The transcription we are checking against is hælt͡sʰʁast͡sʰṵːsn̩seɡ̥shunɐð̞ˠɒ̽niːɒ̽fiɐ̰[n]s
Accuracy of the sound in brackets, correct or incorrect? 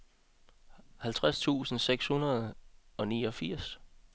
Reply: incorrect